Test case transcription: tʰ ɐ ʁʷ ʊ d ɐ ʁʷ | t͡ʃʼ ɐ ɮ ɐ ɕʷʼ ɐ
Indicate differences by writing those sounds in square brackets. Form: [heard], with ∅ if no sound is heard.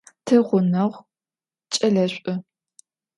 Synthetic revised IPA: tʰ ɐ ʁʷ ʊ [n] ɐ ʁʷ | t͡ʃʼ ɐ ɮ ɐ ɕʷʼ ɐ